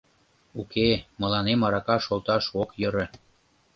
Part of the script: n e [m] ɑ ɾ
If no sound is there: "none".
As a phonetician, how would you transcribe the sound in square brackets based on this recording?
m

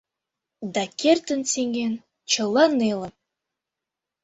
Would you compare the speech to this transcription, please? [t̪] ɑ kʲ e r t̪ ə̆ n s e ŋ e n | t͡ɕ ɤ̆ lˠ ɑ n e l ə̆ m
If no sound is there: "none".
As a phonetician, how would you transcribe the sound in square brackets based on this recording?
d̪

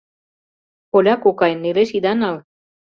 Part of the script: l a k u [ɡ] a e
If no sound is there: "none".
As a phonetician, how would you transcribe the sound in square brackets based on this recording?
k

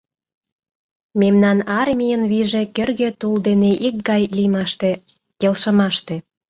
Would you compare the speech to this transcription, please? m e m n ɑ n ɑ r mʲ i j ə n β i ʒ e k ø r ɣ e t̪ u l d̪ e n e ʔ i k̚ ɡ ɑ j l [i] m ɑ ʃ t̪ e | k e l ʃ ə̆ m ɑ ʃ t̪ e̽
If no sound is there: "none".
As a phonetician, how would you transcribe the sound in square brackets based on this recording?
i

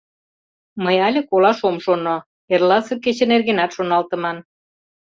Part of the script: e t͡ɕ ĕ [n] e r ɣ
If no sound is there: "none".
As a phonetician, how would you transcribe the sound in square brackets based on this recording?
n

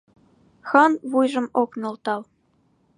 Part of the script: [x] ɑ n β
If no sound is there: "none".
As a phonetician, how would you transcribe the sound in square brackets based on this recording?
x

